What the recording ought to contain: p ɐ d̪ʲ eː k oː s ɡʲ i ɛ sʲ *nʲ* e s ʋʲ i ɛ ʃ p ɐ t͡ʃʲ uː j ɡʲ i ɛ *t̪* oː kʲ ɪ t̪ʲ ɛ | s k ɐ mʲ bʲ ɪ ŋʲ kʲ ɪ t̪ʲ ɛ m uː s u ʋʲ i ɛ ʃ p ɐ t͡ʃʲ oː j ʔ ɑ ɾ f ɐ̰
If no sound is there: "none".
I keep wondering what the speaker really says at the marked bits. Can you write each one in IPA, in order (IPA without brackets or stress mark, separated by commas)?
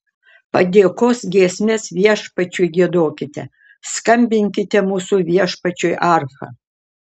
mʲ, d̪